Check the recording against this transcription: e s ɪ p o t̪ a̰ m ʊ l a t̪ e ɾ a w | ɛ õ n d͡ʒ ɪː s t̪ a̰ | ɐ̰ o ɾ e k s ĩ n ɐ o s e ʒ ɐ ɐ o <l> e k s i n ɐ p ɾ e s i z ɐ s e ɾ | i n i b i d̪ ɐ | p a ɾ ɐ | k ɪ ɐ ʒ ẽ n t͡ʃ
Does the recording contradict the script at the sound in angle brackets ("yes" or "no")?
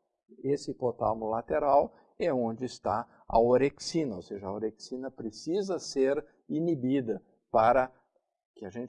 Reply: yes